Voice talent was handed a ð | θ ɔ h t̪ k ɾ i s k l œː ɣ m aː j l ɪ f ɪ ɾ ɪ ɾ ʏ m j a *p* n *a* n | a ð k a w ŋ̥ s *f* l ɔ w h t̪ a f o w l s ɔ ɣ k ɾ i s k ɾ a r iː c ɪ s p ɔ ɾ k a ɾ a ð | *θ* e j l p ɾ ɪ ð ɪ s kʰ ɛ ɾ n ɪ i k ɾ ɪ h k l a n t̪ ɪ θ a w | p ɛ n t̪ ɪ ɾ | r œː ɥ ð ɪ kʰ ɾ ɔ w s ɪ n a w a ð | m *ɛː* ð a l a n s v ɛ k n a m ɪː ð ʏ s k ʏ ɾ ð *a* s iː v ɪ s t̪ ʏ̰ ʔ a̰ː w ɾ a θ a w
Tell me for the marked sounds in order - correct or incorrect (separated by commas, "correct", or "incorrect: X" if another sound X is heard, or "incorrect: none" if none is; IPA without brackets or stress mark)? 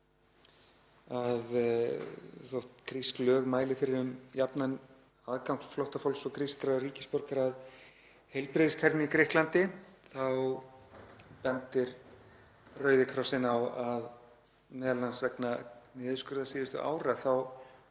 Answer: correct, correct, correct, incorrect: h, correct, correct